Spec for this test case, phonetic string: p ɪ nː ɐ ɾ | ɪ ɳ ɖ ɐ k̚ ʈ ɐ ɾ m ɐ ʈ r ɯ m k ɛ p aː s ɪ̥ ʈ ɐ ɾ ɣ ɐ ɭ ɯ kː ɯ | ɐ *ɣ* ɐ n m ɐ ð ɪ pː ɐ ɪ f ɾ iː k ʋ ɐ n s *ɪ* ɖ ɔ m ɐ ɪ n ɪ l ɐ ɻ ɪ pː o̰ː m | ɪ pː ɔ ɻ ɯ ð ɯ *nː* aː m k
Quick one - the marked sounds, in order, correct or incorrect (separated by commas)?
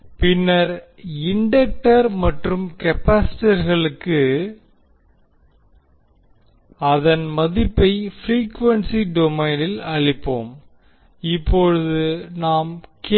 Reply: incorrect, incorrect, incorrect